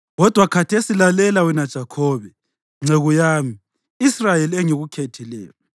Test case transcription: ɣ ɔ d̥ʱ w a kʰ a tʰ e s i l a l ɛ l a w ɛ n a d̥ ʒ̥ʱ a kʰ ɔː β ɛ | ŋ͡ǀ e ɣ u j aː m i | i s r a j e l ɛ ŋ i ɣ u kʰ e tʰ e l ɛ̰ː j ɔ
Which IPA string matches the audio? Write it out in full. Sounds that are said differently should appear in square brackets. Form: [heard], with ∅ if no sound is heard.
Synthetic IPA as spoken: ɣ ɔ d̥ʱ w a kʰ a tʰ e s i l a l ɛ l a w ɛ n a d̥ ʒ̥ʱ a kʰ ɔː β ɛ | ŋ͡ǀ e ɣ u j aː m i | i s r a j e l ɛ ŋ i ɣ u kʰ e tʰ [i] l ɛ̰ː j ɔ